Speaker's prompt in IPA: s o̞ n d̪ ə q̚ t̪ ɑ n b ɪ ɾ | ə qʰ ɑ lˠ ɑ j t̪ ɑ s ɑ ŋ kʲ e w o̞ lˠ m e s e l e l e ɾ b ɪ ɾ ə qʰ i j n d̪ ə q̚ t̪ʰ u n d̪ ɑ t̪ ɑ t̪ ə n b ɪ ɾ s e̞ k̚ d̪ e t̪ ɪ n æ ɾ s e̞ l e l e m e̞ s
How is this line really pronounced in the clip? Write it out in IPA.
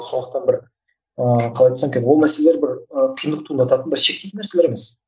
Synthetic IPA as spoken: s o̞ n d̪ ə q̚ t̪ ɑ n b ɪ ɾ | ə qʰ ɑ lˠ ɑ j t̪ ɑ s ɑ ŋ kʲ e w o̞ lˠ m æ s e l e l e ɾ b ɪ ɾ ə qʰ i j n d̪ ə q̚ t̪ʰ u n d̪ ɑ t̪ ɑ t̪ ə n b ɪ ɾ ʃ e̞ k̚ t̪ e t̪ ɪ n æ ɾ s e̞ l e ɾ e m e̞ s